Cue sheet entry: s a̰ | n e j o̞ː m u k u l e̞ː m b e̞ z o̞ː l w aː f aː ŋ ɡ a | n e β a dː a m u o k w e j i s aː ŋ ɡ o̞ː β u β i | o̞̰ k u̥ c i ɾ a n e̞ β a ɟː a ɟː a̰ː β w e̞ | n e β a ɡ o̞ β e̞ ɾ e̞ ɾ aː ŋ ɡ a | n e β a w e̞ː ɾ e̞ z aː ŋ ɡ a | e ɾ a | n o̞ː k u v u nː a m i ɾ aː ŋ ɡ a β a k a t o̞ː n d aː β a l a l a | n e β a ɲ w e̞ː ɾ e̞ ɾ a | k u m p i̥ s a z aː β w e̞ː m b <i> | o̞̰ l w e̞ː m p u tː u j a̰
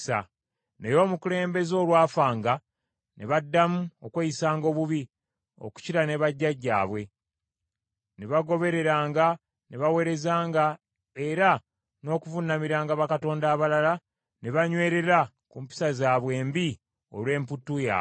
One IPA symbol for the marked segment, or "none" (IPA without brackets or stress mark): i